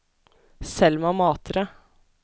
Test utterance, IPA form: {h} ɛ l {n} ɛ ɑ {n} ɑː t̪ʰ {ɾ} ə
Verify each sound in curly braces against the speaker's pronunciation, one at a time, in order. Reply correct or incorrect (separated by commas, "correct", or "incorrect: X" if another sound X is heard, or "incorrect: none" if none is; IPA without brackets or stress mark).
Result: incorrect: s, incorrect: m, incorrect: m, correct